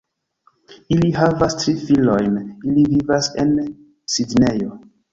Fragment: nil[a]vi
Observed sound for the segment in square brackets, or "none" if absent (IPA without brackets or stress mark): i